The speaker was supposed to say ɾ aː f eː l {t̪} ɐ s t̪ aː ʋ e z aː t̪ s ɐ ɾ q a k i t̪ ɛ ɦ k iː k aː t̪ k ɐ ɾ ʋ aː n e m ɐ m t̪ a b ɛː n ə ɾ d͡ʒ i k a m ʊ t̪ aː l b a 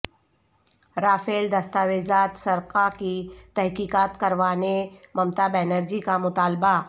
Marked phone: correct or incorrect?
incorrect